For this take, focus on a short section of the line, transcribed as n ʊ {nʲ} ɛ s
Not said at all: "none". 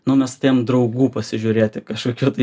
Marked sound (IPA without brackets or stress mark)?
mʲ